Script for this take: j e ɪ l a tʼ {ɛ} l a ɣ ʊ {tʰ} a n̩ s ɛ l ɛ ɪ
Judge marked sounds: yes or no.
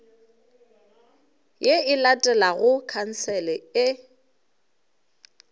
yes, no

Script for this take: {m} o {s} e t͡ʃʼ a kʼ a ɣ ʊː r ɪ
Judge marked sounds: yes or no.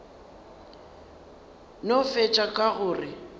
no, no

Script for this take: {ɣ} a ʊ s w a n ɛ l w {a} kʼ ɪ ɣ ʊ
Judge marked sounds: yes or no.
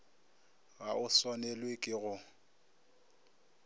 yes, no

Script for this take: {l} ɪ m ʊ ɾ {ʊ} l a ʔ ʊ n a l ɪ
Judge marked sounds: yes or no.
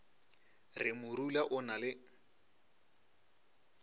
no, no

